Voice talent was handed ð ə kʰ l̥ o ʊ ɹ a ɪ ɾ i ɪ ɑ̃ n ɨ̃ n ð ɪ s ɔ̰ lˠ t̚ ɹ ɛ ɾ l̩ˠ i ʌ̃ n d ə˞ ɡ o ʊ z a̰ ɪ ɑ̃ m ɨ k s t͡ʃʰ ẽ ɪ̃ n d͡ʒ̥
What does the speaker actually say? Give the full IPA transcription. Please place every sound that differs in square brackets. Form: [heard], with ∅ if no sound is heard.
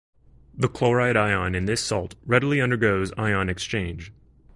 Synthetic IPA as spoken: ð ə kʰ l̥ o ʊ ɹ a ɪ ɾ [a] ɪ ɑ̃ n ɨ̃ n ð ɪ s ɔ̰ lˠ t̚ ɹ ɛ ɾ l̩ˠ i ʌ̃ n d ə˞ ɡ o ʊ z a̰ ɪ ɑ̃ [n] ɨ k s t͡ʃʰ ẽ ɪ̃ n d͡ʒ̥